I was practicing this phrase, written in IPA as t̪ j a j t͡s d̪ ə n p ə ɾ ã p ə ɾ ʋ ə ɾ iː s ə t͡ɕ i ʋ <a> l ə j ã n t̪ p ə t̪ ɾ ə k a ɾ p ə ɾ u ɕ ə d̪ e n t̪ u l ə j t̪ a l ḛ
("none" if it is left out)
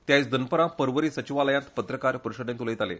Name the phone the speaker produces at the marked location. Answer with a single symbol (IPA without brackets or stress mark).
a